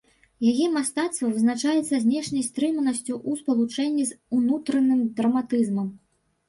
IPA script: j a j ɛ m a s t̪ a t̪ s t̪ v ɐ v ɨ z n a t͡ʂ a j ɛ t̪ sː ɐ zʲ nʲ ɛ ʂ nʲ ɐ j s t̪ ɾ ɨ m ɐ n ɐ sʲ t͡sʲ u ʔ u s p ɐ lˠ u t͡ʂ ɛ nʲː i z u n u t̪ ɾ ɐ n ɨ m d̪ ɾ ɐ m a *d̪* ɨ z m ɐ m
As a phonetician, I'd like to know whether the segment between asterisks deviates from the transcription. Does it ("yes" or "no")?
yes